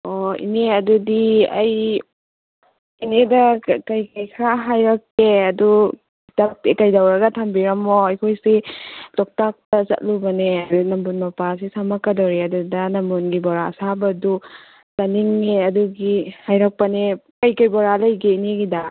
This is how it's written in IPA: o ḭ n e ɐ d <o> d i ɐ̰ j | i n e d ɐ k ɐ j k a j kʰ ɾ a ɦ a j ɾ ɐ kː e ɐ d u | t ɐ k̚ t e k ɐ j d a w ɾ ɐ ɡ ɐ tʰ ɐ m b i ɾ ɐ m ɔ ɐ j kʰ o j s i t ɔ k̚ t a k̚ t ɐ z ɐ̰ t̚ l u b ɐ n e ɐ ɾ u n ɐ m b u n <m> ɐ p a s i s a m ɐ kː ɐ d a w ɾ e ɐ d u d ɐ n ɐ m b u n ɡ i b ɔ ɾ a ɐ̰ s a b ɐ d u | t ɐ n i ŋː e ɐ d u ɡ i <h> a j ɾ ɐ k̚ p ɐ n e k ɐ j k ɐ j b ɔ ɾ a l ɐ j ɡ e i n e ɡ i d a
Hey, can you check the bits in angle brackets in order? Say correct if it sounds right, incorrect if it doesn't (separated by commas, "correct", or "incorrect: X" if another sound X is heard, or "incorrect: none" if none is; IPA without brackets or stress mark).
incorrect: u, correct, correct